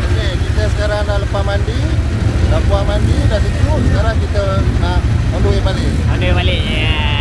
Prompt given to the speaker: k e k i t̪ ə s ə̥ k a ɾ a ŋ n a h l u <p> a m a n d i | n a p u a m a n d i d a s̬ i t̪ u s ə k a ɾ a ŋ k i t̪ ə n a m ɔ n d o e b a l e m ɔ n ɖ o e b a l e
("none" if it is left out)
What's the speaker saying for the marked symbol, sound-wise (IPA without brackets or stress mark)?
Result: p